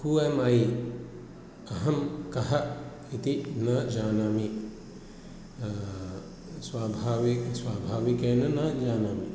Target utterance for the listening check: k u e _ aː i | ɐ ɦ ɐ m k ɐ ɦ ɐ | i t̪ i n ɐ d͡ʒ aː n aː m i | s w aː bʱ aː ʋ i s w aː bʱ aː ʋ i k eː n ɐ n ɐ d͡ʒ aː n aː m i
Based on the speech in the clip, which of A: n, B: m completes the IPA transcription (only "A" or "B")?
B